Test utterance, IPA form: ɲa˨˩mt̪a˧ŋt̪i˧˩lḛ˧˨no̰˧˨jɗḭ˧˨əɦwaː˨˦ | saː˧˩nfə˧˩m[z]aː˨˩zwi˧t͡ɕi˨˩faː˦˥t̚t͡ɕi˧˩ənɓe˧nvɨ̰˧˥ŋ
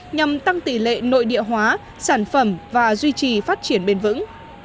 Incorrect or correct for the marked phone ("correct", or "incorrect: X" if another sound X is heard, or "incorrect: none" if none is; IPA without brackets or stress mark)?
incorrect: v